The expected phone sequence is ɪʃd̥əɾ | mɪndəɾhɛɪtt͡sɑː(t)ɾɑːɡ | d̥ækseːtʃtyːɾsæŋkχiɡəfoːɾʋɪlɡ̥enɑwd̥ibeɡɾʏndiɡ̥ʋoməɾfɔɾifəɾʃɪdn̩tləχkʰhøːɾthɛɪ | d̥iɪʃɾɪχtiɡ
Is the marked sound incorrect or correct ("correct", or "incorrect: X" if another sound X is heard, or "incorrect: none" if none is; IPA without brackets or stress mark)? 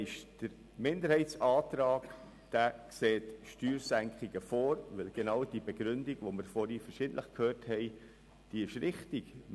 correct